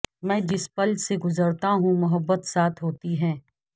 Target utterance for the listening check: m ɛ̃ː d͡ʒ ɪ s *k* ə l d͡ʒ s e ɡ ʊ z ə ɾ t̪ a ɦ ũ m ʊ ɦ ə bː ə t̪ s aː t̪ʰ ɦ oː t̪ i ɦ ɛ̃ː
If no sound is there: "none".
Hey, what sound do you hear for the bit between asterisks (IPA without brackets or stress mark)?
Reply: p